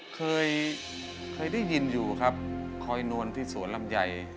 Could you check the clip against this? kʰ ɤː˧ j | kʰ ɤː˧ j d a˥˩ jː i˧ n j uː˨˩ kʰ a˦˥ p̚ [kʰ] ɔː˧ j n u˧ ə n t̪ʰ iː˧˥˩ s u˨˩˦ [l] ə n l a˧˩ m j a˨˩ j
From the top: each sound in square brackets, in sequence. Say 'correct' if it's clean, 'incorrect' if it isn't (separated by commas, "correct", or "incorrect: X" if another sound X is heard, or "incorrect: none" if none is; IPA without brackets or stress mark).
correct, incorrect: none